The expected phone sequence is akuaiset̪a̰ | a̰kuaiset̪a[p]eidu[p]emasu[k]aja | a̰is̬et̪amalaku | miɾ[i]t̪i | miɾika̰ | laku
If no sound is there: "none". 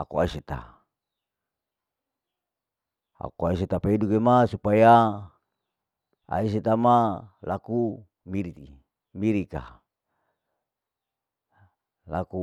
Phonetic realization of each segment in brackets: p, k, p, i

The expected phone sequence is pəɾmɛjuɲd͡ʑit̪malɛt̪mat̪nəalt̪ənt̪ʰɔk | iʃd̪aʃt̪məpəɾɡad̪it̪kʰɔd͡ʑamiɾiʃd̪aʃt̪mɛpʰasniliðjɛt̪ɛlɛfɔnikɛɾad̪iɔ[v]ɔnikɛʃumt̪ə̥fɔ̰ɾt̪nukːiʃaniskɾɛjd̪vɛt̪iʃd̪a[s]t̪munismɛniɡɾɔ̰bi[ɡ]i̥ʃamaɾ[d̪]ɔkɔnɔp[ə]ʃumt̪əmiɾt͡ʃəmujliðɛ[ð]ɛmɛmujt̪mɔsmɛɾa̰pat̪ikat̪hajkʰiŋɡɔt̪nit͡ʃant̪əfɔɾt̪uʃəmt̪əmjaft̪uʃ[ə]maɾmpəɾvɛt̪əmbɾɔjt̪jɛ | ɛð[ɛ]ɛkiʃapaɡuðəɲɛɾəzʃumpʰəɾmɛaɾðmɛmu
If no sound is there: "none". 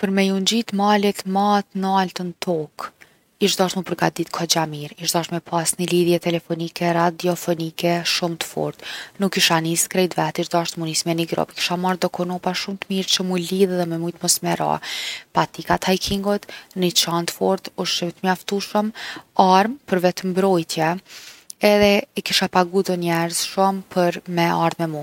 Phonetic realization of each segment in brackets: f, ʃ, k, d̪, a, ð, ə, ɛ

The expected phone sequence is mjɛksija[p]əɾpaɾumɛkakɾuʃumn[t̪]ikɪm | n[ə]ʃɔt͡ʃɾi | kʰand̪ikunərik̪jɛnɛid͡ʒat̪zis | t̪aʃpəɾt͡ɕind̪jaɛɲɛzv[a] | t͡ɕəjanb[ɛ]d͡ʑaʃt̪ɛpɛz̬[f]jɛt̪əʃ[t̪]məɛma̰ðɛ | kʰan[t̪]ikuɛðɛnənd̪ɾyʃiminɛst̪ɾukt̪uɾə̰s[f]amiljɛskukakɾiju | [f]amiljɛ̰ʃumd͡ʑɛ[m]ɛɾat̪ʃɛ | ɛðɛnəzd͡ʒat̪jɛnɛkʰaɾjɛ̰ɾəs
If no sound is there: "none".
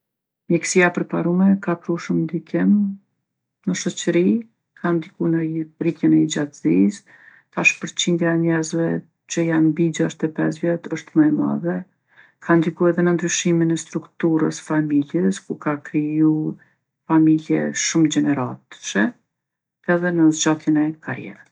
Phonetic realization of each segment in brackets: p, d̪, ə, ɛ, i, v, t̪, d̪, f, f, n

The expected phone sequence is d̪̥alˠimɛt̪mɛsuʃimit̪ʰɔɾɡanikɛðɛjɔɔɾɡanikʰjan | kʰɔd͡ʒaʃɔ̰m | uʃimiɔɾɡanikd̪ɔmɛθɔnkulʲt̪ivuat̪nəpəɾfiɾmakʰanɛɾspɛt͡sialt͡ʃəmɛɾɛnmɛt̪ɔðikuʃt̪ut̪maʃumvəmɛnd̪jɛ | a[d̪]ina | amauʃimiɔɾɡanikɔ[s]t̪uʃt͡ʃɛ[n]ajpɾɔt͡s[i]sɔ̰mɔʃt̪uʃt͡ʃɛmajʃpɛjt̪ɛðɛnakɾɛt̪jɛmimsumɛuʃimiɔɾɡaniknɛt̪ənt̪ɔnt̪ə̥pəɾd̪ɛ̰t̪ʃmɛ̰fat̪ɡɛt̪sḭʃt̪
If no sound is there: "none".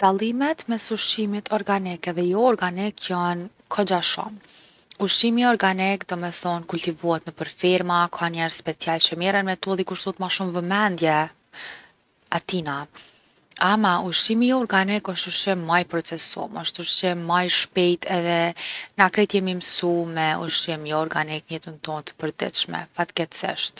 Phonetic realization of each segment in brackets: t̪, ʃ, m, ɛ

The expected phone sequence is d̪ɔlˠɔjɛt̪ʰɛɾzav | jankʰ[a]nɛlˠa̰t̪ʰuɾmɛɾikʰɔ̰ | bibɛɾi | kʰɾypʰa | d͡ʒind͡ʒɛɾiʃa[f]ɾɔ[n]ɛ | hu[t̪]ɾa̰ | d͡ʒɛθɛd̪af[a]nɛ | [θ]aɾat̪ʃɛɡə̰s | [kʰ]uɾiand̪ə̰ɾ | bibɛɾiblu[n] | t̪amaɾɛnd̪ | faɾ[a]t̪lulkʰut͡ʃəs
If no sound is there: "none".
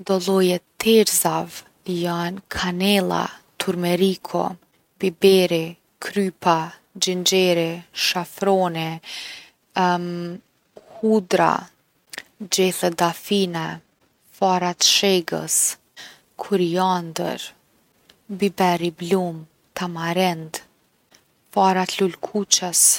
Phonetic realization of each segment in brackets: a, f, n, d̪, i, f, kʰ, m, a

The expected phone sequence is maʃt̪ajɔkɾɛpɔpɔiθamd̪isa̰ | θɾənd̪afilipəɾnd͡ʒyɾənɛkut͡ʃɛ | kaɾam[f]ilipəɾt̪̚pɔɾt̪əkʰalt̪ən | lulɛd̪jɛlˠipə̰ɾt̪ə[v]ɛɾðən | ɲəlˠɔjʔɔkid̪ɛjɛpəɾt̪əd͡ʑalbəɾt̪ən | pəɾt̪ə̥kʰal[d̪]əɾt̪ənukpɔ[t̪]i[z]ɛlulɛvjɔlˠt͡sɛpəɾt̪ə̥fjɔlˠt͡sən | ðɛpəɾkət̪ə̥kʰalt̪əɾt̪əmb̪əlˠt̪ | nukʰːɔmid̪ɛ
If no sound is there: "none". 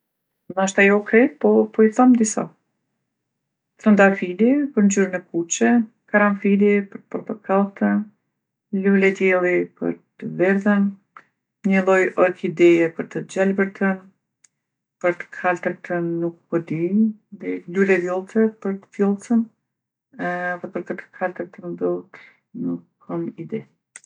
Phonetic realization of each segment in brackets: f, v, t̪, d̪, ð

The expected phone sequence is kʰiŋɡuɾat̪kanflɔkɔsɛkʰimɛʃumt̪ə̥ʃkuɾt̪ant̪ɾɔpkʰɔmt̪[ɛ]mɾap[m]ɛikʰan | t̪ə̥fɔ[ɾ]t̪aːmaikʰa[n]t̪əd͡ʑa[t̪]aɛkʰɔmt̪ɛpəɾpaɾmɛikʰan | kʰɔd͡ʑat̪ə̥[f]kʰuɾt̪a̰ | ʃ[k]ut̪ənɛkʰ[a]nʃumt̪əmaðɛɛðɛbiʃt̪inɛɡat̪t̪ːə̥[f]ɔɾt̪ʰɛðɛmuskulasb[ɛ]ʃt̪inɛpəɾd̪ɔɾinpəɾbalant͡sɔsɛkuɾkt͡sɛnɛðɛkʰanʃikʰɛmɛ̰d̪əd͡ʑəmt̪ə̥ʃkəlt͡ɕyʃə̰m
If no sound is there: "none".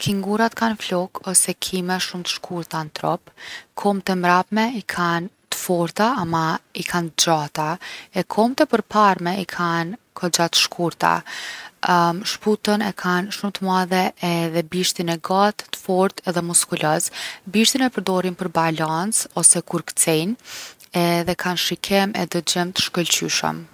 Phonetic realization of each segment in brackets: ɛ, m, ɾ, n, t̪, ʃ, p, a, f, i

